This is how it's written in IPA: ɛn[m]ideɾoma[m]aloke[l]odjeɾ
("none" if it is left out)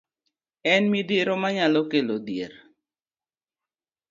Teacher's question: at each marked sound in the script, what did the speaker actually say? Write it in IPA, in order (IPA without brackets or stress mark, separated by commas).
m, ɲ, l